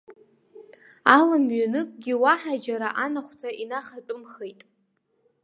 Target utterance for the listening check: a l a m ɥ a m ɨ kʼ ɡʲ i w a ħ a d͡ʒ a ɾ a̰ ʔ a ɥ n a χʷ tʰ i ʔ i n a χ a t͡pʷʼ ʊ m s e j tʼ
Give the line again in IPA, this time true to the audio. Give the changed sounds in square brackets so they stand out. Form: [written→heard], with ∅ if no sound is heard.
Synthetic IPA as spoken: a l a m ɥ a [m→n] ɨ kʼ ɡʲ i w a ħ a d͡ʒ a ɾ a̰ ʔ a [ɥ→∅] n a χʷ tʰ [i→a] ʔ i n a χ a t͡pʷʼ ʊ m [s→χ] e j tʼ